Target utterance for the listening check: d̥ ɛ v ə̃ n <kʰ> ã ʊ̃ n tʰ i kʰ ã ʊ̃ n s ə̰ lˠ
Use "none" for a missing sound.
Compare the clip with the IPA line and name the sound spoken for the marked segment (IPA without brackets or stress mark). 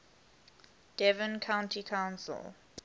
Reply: kʰ